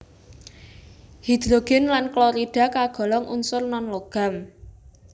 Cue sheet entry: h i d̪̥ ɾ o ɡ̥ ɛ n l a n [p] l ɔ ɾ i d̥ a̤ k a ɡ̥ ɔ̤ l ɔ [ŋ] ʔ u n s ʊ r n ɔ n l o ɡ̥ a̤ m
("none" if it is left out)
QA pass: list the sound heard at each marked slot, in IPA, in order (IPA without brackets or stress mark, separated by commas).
k, ŋ